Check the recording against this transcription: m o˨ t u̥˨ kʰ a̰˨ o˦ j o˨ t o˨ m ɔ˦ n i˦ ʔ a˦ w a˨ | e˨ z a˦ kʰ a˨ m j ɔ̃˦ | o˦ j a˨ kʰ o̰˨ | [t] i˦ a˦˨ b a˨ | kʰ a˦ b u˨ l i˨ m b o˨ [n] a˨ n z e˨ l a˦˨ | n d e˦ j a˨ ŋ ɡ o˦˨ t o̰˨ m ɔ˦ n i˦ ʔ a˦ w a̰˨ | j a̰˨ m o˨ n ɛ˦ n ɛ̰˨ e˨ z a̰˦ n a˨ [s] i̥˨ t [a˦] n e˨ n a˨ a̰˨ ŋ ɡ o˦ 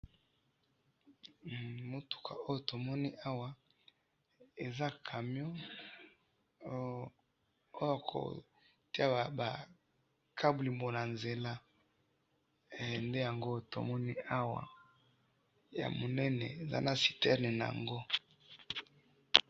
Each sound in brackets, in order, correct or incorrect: correct, correct, correct, incorrect

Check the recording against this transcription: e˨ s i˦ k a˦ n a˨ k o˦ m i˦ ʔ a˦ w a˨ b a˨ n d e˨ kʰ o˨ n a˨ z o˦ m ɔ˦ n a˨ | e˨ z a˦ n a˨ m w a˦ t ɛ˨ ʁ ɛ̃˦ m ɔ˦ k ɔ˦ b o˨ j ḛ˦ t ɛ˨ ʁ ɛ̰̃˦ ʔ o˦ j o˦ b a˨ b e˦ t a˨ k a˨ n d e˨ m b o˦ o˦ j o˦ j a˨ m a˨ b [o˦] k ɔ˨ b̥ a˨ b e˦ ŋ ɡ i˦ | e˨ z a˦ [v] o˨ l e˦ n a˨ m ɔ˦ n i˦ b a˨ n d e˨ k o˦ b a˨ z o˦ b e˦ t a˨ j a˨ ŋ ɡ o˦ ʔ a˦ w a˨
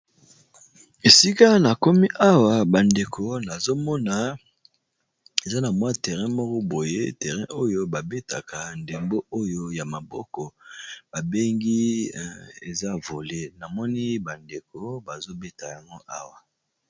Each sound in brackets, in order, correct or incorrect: incorrect, correct

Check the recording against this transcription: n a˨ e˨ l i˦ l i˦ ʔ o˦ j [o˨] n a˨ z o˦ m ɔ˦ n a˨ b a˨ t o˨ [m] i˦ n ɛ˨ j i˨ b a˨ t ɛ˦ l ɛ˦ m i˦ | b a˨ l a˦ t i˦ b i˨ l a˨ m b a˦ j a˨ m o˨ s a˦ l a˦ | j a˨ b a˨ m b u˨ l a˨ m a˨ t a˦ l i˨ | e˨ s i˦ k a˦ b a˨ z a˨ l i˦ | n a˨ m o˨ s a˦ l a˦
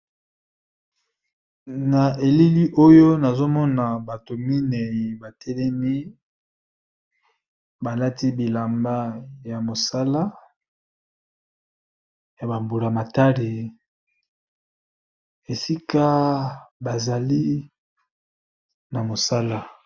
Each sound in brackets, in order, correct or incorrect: incorrect, correct

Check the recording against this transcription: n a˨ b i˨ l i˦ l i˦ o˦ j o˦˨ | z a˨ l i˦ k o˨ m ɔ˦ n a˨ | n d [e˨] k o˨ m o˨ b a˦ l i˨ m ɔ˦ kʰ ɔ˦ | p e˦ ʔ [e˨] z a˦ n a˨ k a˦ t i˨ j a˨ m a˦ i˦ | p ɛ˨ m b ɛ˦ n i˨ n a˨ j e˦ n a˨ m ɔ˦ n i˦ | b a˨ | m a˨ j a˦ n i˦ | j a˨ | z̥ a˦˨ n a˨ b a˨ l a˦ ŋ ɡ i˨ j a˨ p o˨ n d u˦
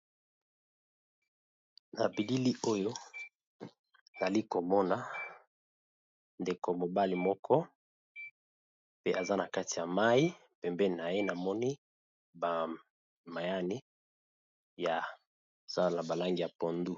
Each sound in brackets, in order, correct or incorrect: correct, incorrect

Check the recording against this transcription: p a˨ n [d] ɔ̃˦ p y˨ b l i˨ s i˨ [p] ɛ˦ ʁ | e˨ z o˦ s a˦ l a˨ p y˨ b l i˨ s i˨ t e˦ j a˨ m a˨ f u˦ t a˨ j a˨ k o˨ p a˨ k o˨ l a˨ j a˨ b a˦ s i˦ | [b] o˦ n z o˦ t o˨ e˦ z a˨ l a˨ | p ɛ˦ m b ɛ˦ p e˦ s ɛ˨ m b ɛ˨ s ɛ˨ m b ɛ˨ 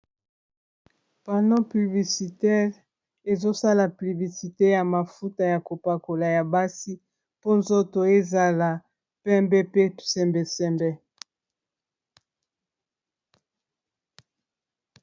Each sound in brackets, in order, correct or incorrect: correct, incorrect, incorrect

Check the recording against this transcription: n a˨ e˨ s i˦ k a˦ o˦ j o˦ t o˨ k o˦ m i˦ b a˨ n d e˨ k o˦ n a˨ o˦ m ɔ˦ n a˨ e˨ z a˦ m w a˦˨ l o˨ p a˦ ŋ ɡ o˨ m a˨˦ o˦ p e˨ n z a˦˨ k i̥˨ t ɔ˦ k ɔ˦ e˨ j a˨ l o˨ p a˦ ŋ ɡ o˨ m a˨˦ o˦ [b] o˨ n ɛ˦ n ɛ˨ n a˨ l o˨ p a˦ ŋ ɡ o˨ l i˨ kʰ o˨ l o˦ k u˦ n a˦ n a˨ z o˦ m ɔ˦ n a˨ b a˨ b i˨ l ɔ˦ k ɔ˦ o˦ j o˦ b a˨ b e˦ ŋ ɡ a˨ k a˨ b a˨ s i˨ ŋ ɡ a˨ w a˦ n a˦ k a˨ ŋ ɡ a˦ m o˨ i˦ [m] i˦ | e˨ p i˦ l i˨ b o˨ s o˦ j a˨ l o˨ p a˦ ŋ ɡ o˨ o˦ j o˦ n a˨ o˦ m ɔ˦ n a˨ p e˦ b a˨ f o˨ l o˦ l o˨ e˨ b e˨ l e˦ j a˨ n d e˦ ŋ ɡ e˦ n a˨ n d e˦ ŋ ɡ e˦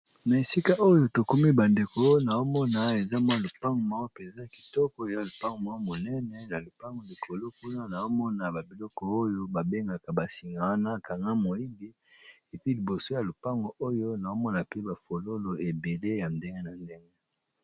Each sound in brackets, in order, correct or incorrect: incorrect, incorrect

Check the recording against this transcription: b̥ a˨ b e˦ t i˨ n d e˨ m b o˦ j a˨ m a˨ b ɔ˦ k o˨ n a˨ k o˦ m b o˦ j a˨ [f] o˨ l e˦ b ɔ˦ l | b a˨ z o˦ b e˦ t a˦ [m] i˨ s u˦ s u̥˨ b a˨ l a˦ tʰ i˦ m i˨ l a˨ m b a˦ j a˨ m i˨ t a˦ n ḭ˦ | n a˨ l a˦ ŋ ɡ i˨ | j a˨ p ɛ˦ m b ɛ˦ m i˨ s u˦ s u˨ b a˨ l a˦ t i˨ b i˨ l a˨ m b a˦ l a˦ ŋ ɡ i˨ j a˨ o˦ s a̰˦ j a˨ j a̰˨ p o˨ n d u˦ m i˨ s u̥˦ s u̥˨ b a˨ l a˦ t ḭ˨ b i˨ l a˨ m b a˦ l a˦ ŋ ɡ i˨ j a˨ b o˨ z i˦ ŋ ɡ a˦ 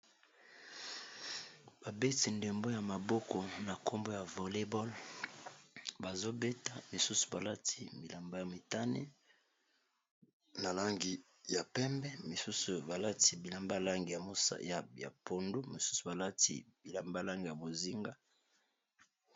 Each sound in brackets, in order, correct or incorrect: incorrect, correct

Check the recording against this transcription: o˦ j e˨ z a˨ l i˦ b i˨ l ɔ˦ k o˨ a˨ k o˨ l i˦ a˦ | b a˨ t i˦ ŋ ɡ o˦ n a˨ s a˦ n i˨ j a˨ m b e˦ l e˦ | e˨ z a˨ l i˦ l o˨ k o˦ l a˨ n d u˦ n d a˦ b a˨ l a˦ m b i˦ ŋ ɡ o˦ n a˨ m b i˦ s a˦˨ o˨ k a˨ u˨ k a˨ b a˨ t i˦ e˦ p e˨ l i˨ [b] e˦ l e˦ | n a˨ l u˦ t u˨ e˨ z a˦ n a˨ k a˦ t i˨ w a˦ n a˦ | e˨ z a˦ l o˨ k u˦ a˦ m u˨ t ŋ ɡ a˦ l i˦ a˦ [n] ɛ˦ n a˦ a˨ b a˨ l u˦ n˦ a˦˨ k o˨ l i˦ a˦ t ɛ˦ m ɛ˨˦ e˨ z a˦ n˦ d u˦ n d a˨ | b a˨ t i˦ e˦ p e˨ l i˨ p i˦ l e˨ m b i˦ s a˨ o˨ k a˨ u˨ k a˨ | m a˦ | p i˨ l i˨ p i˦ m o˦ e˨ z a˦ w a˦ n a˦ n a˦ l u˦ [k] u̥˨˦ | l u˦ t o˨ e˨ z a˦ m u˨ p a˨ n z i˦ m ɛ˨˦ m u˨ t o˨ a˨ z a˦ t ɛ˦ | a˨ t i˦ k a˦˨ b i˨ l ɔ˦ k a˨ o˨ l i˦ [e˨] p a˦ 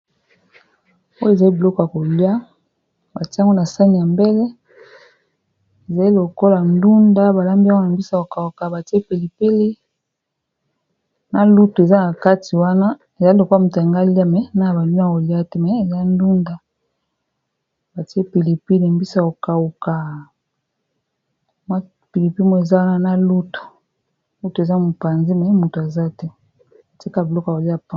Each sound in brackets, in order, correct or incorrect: incorrect, incorrect, incorrect, incorrect

